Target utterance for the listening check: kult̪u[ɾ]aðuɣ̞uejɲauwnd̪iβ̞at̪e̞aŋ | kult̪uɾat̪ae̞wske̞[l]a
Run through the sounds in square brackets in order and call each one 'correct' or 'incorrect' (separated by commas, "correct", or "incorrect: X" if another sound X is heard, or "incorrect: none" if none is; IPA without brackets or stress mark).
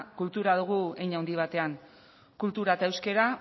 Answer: correct, incorrect: ɾ